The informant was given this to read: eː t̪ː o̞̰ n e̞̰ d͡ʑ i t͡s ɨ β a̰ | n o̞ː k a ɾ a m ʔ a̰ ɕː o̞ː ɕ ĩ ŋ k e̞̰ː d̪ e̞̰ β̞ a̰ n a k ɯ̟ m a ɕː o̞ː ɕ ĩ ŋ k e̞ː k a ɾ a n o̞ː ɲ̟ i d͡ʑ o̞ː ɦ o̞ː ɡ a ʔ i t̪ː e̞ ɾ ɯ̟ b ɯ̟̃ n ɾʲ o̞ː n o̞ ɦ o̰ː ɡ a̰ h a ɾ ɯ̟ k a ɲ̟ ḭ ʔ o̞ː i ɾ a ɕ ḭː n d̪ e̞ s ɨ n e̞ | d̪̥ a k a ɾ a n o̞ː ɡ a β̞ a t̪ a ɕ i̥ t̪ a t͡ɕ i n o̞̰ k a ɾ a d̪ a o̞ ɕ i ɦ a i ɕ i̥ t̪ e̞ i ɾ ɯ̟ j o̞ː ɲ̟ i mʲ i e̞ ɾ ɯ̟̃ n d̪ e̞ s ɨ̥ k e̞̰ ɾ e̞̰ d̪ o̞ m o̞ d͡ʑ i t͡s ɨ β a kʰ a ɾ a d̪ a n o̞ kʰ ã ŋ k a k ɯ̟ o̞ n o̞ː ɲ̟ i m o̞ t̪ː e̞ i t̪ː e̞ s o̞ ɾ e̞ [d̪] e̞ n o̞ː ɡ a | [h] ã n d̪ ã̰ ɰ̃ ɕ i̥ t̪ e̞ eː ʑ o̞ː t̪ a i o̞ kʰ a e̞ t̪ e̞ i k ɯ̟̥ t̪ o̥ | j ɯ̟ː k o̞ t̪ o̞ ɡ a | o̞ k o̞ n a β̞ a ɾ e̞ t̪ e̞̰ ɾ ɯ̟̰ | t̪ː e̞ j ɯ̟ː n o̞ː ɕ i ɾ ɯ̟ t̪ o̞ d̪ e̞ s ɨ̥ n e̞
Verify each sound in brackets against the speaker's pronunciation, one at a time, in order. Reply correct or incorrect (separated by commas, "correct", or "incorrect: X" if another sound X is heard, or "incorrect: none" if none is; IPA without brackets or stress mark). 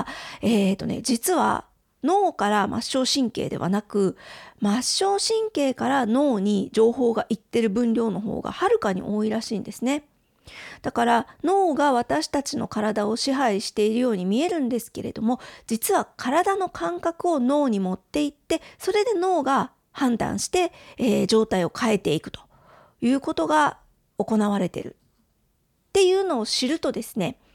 correct, correct